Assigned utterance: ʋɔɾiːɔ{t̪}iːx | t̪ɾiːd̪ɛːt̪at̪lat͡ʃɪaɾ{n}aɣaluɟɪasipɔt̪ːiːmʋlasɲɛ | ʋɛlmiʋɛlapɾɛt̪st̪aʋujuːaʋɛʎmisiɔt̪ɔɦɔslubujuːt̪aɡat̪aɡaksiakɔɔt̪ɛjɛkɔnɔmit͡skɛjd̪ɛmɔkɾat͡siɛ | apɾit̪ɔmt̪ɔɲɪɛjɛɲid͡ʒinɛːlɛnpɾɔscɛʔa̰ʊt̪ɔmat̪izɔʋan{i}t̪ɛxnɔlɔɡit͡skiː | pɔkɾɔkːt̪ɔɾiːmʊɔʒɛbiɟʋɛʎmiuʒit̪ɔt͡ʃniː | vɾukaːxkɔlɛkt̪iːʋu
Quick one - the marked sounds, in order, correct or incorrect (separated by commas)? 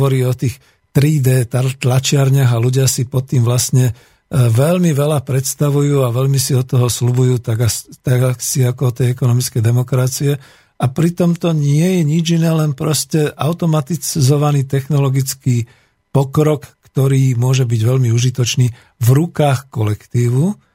correct, incorrect, incorrect